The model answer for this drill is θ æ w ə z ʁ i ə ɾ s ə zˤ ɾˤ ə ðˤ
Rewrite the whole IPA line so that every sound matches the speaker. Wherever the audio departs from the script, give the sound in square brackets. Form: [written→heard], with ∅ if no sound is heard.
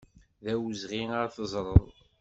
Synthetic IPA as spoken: [θ→ð] æ w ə z ʁ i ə ɾ [s→θ] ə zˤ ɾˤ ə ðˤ